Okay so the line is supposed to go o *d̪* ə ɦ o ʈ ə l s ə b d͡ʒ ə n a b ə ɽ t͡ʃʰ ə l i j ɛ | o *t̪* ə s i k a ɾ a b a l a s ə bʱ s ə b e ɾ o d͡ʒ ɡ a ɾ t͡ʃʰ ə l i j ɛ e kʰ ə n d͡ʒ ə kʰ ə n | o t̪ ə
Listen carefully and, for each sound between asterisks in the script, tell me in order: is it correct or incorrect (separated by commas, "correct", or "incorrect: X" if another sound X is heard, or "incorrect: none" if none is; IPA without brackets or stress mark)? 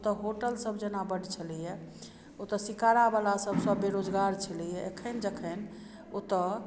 incorrect: t̪, correct